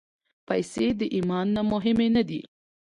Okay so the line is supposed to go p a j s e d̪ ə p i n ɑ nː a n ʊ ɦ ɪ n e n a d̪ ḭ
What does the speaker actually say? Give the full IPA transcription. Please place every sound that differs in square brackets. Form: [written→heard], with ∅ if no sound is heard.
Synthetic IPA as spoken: p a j s e d̪ ə [p→ʔ] i [n→m] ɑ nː a [n→m] ʊ ɦ ɪ [n→m] e n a d̪ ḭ